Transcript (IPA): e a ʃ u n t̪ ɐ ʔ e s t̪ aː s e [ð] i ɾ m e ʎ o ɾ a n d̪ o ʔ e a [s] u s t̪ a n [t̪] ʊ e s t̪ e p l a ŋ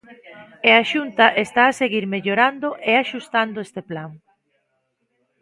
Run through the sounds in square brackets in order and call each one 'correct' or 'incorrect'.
incorrect: ɣ, incorrect: ʃ, incorrect: d̪

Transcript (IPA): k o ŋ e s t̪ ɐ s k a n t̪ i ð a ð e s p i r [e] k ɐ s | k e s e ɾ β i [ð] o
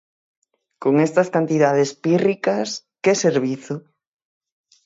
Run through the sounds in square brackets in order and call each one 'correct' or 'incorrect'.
incorrect: i, incorrect: θ

